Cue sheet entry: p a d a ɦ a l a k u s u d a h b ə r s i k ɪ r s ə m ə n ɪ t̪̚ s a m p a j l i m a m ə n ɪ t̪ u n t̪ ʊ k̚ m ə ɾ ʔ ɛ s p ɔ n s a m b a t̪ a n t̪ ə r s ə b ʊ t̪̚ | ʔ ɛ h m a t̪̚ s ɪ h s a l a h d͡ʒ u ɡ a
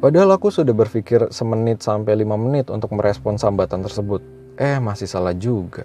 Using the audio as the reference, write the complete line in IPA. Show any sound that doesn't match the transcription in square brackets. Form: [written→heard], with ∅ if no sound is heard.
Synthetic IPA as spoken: p a d a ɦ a l a k u s u d a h b ə r [s→f] i k ɪ r s ə m ə n ɪ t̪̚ s a m p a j l i m a m ə n ɪ t̪ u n t̪ ʊ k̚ m ə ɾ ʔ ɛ s p ɔ n s a m b a t̪ a n t̪ ə r s ə b ʊ t̪̚ | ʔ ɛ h m a [t̪̚→∅] s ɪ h s a l a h d͡ʒ u ɡ a